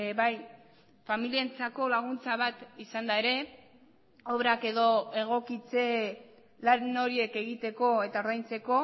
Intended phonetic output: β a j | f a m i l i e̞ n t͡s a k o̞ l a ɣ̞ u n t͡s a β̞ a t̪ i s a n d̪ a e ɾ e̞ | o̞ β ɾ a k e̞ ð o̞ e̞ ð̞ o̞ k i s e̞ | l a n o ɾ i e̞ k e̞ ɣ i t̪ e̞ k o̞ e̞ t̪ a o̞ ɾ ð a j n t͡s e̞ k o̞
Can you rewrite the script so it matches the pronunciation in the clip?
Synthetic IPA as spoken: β a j | f a m i l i e̞ n t͡s a k o̞ l a ɣ̞ u n t͡s a β̞ a t̪ i s a n d̪ a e ɾ e̞ | o̞ β ɾ a k e̞ ð o̞ e̞ ɣ̞ o̞ k i t͡s e̞ | l a n o ɾ i e̞ k e̞ ɣ i t̪ e̞ k o̞ e̞ t̪ a o̞ ɾ ð a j n t͡s e̞ k o̞